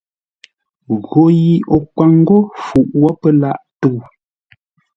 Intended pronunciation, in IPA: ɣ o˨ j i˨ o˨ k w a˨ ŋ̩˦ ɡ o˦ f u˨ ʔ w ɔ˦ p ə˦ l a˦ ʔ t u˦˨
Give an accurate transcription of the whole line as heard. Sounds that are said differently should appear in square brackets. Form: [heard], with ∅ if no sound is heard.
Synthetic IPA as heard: ɣ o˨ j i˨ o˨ k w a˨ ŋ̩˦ ɡ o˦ f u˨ ʔ w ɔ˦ p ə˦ l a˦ ʔ t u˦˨